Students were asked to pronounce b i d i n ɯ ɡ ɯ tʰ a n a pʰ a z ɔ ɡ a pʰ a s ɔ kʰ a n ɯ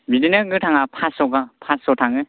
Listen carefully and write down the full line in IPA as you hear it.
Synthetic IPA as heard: b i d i n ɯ ɡ ɯ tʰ a ŋ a pʰ a s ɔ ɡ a pʰ a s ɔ tʰ a ŋ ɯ